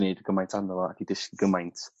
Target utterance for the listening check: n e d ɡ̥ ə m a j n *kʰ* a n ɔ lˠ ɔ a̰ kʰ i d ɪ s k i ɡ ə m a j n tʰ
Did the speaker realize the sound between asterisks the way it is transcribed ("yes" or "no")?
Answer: no